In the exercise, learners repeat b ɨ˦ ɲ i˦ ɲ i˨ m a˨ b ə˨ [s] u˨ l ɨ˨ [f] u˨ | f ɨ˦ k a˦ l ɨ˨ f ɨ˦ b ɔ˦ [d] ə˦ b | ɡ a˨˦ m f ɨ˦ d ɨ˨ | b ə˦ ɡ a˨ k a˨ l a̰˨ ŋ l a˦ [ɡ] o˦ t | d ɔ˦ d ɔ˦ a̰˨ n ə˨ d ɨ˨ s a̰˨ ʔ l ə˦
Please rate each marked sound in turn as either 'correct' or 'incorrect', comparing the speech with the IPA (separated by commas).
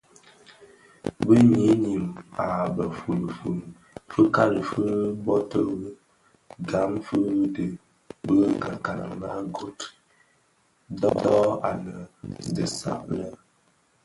incorrect, correct, incorrect, correct